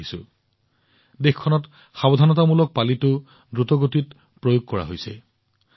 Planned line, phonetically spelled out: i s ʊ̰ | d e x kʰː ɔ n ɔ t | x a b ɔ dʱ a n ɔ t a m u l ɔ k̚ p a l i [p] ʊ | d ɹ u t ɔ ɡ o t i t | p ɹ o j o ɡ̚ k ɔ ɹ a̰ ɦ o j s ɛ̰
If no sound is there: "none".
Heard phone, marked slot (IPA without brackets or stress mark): t